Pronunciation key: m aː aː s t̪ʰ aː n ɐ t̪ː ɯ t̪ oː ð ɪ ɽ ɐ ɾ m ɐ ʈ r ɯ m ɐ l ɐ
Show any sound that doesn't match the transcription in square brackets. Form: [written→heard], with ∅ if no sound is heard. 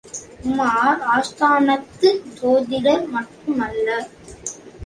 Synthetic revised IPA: m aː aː s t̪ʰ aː n ɐ t̪ː ɯ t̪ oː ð ɪ ɽ ɐ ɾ m ɐ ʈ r ɯ m ɐ [l→lː] ɐ